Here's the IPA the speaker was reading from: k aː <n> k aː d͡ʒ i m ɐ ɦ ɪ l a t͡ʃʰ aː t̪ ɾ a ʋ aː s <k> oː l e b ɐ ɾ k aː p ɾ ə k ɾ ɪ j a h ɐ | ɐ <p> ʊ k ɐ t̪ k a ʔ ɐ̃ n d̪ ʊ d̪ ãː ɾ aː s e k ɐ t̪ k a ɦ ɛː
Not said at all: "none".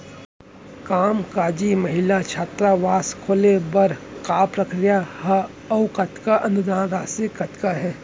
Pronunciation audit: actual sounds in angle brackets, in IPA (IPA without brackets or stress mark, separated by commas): m, kʰ, none